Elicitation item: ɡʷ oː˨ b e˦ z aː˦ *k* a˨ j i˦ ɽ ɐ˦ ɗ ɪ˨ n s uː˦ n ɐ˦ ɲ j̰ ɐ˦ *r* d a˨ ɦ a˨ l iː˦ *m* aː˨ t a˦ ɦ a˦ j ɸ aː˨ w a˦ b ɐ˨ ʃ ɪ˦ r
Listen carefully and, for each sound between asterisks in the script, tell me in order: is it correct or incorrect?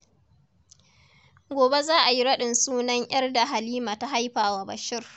incorrect: ʔ, correct, correct

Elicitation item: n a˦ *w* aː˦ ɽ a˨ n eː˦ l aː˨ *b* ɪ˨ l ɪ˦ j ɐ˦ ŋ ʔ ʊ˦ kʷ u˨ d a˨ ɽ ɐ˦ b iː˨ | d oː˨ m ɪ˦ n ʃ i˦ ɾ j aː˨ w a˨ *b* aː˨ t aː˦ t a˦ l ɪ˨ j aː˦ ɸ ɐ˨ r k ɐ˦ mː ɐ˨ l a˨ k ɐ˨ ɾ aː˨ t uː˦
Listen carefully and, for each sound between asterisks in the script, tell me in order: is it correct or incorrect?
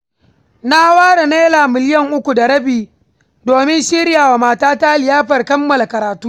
correct, incorrect: m, incorrect: m

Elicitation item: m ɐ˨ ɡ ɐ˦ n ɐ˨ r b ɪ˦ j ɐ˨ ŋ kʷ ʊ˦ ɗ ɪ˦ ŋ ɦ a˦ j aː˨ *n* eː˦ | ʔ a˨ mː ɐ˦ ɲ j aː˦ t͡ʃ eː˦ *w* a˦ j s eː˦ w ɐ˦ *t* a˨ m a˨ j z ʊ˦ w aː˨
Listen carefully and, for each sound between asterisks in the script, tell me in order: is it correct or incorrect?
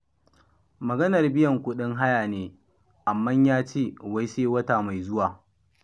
correct, correct, correct

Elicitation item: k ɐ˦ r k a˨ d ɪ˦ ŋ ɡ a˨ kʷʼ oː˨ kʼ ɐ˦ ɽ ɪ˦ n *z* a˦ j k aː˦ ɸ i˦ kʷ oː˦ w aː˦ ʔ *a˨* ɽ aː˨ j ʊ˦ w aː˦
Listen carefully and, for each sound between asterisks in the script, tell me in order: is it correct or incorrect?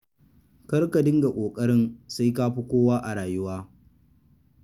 incorrect: s, correct

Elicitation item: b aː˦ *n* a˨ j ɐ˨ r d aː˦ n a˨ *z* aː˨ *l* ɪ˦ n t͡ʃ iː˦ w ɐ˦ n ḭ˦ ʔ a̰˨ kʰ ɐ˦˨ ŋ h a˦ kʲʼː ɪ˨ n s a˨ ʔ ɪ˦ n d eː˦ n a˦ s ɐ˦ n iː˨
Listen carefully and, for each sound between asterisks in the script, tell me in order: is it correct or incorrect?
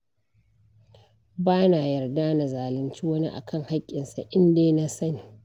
correct, correct, correct

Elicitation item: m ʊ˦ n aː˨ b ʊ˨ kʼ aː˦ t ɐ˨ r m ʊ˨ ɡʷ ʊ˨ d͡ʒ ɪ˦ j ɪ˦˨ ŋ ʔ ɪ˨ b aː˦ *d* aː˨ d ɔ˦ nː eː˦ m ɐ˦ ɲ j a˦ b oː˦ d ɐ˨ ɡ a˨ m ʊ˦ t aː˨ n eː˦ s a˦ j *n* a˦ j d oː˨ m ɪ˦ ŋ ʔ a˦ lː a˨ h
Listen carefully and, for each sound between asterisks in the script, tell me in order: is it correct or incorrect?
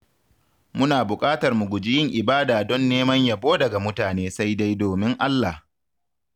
correct, incorrect: d

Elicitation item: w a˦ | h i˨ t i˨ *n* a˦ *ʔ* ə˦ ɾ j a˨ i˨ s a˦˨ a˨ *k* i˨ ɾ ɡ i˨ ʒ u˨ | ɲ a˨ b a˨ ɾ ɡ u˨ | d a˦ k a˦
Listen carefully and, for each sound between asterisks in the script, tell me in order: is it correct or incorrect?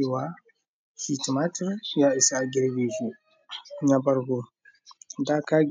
incorrect: m, incorrect: t, incorrect: ɡ

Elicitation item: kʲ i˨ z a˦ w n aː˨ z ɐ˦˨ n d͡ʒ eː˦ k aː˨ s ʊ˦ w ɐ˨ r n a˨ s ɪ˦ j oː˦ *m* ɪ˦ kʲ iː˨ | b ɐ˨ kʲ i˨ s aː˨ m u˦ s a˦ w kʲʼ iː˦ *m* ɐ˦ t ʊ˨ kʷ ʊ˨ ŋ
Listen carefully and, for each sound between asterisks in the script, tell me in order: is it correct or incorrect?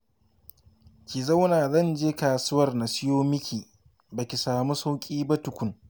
correct, incorrect: b

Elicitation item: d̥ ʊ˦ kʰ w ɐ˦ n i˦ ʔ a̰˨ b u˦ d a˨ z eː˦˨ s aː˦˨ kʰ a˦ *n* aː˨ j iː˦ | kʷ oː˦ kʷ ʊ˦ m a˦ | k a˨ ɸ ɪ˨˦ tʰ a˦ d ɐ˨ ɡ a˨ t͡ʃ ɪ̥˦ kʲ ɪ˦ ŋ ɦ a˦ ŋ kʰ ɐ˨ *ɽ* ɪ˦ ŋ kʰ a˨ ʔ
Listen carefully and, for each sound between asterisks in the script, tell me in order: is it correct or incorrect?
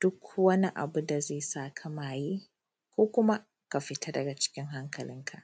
incorrect: m, incorrect: l

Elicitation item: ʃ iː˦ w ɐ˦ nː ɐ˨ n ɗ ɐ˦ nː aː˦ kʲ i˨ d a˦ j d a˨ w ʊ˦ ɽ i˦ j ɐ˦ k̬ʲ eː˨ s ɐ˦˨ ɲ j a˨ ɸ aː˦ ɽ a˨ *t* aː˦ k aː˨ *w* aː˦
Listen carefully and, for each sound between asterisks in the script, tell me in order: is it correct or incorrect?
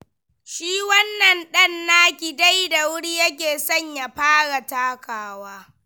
correct, correct

